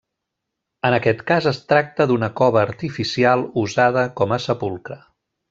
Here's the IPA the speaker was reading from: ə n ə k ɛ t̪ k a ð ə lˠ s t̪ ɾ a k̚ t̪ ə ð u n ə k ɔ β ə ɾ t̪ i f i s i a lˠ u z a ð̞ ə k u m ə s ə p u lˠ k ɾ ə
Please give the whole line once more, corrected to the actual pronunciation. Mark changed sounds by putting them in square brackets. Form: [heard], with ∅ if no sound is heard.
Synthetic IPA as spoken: ə n ə k ɛ t̪ k a [z] ə [∅] s t̪ ɾ a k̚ t̪ ə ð u n ə k ɔ β [əː] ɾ t̪ i f i s i a lˠ u z a ð̞ ə k [ɔ] m ə s ə p u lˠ k ɾ ə